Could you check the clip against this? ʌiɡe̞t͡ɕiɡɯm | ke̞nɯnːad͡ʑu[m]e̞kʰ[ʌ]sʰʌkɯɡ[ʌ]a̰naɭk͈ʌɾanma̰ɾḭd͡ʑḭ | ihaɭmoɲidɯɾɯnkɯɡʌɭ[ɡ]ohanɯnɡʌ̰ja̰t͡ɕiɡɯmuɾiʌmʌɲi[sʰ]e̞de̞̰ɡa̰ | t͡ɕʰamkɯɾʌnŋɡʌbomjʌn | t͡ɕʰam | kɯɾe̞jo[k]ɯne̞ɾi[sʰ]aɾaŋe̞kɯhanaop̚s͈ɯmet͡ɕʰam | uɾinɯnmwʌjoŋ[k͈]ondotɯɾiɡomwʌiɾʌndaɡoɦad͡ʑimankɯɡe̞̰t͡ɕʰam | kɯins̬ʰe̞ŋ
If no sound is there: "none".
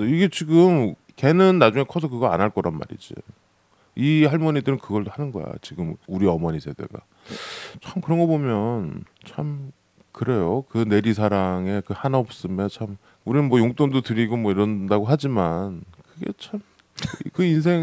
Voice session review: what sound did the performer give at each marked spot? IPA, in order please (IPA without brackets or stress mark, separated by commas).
ŋ, ʌ, ʌ, d, sʰ, k, sʰ, t͈